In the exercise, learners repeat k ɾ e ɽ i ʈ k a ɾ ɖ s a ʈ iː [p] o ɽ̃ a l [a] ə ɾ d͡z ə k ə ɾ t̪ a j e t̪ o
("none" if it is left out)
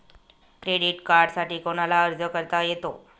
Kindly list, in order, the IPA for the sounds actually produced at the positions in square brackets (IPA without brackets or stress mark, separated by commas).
k, a